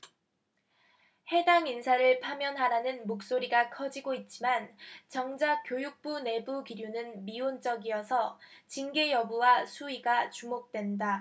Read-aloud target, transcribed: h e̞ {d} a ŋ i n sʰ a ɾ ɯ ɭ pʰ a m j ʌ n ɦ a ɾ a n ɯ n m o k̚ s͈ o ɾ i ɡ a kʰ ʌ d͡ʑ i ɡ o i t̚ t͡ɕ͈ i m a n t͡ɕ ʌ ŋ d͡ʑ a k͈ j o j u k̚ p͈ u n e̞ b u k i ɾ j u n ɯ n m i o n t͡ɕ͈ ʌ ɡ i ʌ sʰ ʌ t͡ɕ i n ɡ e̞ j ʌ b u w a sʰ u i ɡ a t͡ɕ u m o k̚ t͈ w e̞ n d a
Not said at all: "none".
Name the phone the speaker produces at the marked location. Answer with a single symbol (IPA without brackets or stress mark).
d